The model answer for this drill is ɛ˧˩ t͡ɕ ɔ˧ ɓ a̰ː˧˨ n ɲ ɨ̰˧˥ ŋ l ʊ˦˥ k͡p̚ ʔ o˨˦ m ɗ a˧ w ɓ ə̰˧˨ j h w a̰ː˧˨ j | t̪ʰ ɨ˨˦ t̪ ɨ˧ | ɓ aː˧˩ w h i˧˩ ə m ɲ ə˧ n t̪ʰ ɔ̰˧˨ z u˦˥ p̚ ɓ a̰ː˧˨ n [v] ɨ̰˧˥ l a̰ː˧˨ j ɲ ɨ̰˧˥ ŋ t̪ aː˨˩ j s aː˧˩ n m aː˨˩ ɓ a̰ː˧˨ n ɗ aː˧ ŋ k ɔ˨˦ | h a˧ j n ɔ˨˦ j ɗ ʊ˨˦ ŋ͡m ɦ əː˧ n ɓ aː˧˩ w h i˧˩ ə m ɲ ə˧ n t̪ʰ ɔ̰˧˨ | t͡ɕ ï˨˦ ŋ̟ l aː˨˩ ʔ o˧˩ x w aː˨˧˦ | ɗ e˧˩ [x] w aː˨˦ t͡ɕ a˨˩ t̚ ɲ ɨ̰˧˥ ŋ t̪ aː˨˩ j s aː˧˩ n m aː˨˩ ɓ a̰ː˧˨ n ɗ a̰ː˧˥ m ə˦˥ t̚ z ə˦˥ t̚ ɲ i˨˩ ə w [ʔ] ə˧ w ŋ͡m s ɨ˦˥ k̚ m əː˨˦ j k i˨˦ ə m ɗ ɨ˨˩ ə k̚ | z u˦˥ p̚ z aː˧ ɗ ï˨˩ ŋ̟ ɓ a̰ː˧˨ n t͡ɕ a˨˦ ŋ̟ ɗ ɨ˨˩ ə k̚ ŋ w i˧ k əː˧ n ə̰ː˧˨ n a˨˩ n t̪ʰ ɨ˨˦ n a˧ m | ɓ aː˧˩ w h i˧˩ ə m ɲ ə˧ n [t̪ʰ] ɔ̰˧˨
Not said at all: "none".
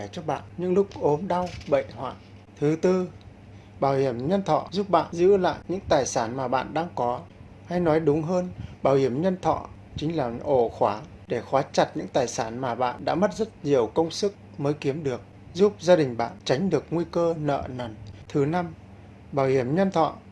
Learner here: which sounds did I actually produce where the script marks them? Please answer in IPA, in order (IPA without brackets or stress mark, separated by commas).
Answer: z, x, k, t̪ʰ